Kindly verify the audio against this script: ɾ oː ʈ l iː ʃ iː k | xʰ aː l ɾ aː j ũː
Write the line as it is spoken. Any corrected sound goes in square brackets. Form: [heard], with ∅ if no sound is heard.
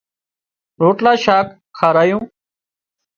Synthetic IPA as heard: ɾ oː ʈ l [aː] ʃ [aː] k | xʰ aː [∅] ɾ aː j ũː